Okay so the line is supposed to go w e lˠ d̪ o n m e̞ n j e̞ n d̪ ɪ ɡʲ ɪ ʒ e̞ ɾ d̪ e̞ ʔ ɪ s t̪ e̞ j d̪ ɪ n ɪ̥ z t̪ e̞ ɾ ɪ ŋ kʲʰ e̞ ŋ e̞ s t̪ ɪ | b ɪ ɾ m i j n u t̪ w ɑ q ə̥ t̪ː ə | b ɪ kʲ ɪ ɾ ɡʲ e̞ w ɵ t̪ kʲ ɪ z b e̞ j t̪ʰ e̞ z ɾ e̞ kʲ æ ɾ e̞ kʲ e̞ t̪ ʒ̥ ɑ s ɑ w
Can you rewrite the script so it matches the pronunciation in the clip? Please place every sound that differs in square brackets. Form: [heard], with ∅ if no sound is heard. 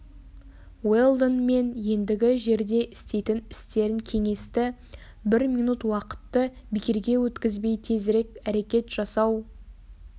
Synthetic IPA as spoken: w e lˠ d̪ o n m e̞ n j e̞ n d̪ ɪ ɡʲ ɪ ʒ e̞ ɾ d̪ e̞ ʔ ɪ s t̪ e̞ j [t̪] ɪ n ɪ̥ [s] t̪ e̞ ɾ ɪ ŋ kʲʰ e̞ ŋ e̞ s t̪ ɪ | b ɪ ɾ m i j n u t̪ w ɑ q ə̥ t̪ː ə | b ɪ kʲ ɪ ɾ ɡʲ e̞ w ɵ t̪ kʲ ɪ z b e̞ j t̪ʰ e̞ z ɾ e̞ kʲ æ ɾ e̞ kʲ e̞ t̪ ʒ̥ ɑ s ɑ w